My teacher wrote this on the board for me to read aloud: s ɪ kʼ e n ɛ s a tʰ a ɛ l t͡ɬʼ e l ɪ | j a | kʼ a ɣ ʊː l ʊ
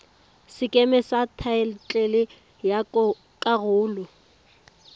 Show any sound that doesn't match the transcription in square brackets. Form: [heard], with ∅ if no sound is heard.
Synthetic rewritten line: s ɪ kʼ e [m] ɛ s a tʰ a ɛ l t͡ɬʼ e l ɪ | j a | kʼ a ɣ ʊː l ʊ